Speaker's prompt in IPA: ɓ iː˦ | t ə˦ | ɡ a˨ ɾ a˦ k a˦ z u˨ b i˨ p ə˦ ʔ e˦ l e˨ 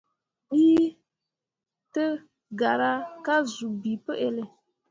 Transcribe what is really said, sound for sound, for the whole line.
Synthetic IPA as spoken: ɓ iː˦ | t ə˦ | ɡ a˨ ɾ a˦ k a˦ z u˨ b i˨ p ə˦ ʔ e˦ l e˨